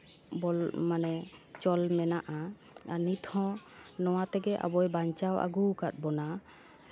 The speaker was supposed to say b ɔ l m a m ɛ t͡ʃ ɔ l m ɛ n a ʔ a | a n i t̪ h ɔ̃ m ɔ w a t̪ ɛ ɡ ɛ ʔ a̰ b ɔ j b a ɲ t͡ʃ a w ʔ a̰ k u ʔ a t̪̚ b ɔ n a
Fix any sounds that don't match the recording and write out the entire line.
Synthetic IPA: b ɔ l m a n ɛ t͡ʃ ɔ l m ɛ n a ʔ a | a n i t̪ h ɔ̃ n ɔ w a t̪ ɛ ɡ ɛ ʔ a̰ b ɔ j b a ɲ t͡ʃ a w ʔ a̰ ɡ u k a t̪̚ b ɔ n a